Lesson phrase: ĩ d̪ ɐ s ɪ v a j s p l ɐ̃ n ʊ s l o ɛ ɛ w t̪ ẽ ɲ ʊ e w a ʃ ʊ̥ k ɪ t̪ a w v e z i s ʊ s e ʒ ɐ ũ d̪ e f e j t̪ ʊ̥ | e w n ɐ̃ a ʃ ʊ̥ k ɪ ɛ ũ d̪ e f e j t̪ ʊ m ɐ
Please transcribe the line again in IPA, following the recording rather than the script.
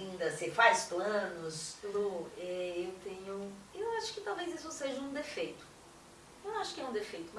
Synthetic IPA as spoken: ĩ d̪ ɐ s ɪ f a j s p l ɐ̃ n ʊ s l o ɛ e w t̪ ẽ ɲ ʊ e w a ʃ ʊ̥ k ɪ t̪ a w v e z i s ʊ s e ʒ ɐ ũ d̪ e f e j t̪ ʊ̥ | e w n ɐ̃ a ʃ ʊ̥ k ɪ ɛ ũ d̪ e f e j t̪ ʊ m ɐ